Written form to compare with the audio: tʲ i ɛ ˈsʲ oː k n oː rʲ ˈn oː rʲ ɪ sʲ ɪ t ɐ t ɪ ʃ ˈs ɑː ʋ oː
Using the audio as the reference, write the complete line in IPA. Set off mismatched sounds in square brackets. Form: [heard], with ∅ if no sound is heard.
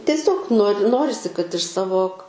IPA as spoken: tʲ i ɛ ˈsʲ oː k n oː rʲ ˈn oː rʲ ɪ sʲ ɪ [k] ɐ t ɪ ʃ ˈs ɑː ʋ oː